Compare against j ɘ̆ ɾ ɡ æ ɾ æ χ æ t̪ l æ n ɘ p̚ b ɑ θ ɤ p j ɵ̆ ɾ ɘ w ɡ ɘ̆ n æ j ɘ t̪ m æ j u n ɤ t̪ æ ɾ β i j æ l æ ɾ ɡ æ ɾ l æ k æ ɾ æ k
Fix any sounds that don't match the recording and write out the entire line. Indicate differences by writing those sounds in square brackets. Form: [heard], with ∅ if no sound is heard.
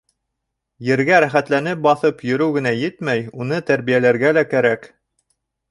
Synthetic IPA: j ɘ̆ ɾ ɡ æ ɾ æ χ æ t̪ l æ n ɘ p̚ b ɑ θ ɤ p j ɵ̆ ɾ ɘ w ɡ ɘ̆ n æ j ɘ t̪ m æ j u n ɤ t̪ æ ɾ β i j æ l æ ɾ ɡ æ [∅] l æ k æ ɾ æ k